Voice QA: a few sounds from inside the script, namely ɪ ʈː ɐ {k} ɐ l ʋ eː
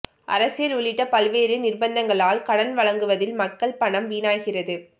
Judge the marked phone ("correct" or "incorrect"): incorrect